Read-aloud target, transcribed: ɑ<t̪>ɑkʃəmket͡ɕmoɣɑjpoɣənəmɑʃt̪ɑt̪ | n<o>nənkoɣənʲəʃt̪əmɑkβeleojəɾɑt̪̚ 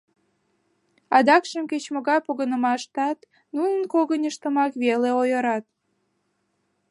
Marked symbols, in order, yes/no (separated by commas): no, no